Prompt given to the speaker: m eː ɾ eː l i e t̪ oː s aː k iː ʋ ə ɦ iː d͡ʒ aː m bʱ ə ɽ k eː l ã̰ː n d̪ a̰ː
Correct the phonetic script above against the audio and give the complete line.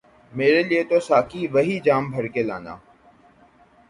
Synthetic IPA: m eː ɾ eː l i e t̪ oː s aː k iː ʋ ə ɦ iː d͡ʒ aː m bʱ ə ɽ k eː l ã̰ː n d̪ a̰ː